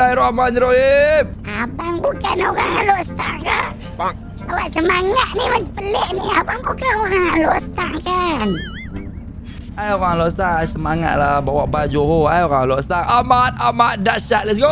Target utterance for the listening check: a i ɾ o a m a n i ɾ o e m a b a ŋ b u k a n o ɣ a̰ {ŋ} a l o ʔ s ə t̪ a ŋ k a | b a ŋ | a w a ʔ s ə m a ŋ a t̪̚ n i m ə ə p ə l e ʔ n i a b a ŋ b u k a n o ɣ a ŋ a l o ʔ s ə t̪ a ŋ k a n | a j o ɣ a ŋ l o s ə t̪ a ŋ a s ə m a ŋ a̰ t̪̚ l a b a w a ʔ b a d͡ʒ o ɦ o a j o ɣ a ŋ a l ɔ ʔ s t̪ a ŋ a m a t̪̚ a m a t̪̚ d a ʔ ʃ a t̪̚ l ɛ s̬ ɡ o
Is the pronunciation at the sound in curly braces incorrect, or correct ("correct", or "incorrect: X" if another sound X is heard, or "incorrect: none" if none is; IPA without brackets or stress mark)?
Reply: correct